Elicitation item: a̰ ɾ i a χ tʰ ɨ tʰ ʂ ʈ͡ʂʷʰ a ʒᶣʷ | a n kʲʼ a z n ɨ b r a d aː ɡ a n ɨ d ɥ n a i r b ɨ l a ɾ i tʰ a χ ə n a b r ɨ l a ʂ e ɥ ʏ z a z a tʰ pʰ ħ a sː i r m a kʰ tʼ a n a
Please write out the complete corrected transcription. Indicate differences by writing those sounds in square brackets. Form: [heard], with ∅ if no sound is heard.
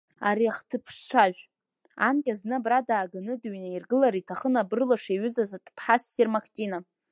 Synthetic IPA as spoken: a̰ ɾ i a χ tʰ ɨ [pʰ] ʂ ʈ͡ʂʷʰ a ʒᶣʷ | a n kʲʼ a z n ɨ b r a d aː ɡ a n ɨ d ɥ n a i r [ɡ] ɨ l a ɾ i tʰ a χ ə n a b r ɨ l a ʂ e ɥ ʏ z a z a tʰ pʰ ħ a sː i r m a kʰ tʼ [i] n a